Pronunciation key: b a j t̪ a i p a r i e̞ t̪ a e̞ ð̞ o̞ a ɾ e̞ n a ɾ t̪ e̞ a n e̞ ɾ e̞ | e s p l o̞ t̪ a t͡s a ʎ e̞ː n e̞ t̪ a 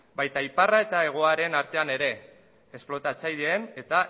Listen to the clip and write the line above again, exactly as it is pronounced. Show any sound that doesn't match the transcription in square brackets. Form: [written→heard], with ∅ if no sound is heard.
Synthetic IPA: b a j t̪ a i p a r [i→a] e̞ t̪ a e̞ [ð̞→ɣ̞] o̞ a ɾ e̞ n a ɾ t̪ e̞ a n e̞ ɾ e̞ | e s p l o̞ t̪ a t͡s a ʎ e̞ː n e̞ t̪ a